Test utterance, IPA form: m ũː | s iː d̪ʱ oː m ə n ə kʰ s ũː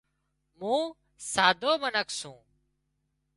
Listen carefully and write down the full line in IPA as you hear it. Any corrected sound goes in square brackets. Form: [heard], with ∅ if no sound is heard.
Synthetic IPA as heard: m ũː | s [aː] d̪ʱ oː m ə n ə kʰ s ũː